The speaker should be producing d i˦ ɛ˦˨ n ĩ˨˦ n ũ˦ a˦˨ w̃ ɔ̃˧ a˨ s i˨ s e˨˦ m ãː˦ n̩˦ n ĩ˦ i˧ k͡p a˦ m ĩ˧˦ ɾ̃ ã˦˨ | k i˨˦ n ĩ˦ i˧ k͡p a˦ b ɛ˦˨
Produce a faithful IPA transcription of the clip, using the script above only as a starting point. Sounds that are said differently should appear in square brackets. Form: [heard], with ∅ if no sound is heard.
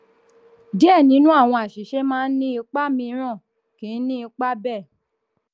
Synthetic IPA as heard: d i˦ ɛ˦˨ n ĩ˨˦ n ũ˦ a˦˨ w̃ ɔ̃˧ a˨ [ʃ] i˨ [ʃ] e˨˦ m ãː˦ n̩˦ n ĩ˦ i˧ k͡p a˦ m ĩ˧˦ ɾ̃ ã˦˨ | k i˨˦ n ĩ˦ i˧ k͡p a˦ b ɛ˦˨